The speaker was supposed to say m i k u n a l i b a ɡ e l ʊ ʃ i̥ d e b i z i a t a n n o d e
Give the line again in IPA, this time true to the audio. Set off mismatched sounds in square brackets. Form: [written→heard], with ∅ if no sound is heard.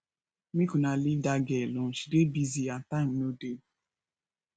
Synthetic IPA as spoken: m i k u n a l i [b→d] a ɡ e l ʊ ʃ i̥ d e b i z i a t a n n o d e

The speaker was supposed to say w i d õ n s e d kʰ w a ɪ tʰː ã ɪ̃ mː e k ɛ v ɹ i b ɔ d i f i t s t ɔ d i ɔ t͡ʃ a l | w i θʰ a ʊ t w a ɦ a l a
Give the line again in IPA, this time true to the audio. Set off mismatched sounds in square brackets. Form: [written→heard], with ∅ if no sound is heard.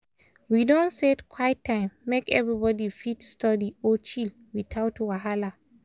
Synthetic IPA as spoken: w i d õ n s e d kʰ w a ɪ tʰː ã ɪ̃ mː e k ɛ v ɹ i b ɔ d i f i t s t ɔ d i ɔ t͡ʃ [a→i] l | w i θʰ a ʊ t w a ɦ a l a

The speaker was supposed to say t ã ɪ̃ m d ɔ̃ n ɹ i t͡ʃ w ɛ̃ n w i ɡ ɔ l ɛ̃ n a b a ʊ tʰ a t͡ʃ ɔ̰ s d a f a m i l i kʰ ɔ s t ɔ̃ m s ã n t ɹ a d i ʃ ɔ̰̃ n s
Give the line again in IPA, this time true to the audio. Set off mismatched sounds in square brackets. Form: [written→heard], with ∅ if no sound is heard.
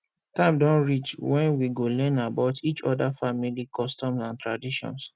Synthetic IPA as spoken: t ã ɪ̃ m d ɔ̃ n ɹ i t͡ʃ w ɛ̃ n w i ɡ [ɔ→o] l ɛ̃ n a b a ʊ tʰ [a→i] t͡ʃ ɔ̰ [s→∅] d a f a m i l i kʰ ɔ s t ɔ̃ m s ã n t ɹ a d i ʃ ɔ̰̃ n s

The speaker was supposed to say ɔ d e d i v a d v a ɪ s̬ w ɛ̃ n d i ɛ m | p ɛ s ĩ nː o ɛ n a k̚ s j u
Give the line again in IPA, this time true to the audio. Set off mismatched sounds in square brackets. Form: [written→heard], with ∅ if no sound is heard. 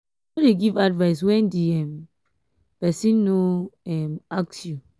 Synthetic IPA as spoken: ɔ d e [d→ɡ] i v a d v a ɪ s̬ w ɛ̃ n d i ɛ m | p ɛ s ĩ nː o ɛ [n→m] a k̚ s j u

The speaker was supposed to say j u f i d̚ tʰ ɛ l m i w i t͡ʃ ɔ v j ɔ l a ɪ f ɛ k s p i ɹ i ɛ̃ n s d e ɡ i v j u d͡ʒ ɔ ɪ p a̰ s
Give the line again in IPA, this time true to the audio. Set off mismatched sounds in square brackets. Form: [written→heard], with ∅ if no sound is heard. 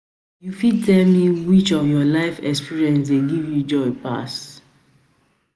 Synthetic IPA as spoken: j u f i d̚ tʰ ɛ l m i w i t͡ʃ ɔ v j ɔ l a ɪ f ɛ k s p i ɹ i ɛ̃ n s d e ɡ i v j u d͡ʒ ɔ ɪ p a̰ s

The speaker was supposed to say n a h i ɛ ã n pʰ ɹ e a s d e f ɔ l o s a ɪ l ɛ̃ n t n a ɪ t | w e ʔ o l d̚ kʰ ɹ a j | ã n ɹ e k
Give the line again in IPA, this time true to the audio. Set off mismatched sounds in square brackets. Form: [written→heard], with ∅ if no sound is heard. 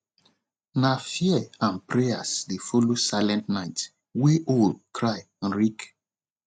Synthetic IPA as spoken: n a [h→f] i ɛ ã n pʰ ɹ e a s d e f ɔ l o s a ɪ l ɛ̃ n t n a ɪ t | w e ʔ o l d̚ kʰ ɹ a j | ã n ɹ [e→i] k

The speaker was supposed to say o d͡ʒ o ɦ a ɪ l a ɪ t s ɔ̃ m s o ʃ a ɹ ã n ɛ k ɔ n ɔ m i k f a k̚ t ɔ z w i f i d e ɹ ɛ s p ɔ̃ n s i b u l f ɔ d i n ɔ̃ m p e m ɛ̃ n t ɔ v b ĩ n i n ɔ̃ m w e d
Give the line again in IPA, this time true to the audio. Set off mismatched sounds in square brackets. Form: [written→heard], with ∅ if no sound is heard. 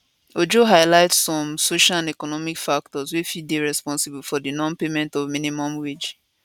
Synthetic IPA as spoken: o d͡ʒ o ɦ a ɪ l a ɪ t s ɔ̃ m s o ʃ a [ɹ→l] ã n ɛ k ɔ n ɔ m i k f a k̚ t ɔ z w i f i d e ɹ ɛ s p ɔ̃ n s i b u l f ɔ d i n ɔ̃ [m→n] p e m ɛ̃ n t ɔ v [b→m] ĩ n i [n→m] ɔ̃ m w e [d→d͡ʒ]

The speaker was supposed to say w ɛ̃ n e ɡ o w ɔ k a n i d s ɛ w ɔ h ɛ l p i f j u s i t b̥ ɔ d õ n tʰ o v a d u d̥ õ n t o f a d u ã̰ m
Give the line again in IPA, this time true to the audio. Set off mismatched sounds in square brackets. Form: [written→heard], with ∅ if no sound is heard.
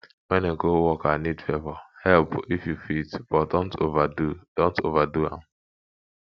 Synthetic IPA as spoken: w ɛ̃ n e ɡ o w ɔ k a n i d [s→f] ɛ [w→v] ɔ h ɛ l p i f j u [s→f] i t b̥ ɔ d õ n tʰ o v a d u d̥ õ n t o [f→v] a d u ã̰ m

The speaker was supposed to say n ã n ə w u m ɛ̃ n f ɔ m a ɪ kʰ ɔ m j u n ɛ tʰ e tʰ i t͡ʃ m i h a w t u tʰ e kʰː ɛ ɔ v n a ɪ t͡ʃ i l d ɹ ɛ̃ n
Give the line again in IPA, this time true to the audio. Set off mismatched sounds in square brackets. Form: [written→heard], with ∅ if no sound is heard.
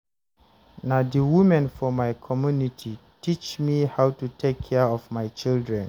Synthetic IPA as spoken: n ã [n→d] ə w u m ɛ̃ n f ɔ m a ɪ kʰ ɔ m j u n [ɛ→i] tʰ [e→i] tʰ i t͡ʃ m i h a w t u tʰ e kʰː ɛ ɔ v [n→m] a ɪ t͡ʃ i l d ɹ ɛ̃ n

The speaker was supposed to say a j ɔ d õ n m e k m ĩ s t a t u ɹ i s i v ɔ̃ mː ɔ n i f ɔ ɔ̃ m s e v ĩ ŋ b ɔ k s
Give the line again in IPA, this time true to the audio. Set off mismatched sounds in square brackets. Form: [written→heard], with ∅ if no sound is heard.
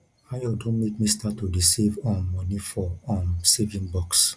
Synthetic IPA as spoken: a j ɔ d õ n m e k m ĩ s t a t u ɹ i s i v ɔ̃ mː ɔ n i f ɔ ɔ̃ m s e v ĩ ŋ b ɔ k s

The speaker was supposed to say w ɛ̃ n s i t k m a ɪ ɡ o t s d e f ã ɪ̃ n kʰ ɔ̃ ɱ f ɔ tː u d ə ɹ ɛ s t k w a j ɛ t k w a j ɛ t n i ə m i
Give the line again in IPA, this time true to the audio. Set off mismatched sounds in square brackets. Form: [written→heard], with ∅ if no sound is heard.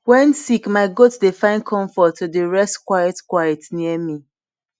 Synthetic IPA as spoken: w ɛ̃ n s i [t→∅] k m a ɪ ɡ o t s d e f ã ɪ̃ n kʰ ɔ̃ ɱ f ɔ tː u d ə ɹ ɛ s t k w a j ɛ t k w a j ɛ t n i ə m i

